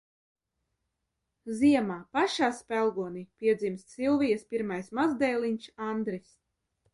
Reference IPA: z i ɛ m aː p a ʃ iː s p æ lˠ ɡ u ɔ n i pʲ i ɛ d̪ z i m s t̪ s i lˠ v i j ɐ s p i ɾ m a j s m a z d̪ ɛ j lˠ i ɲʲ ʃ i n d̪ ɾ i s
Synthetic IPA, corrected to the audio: z i ɛ m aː p a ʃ aː s p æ lˠ ɡ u ɔ n i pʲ i ɛ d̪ z i m s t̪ s i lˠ v i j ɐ s p i ɾ m a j s m a z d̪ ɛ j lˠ i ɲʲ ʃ a n d̪ ɾ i s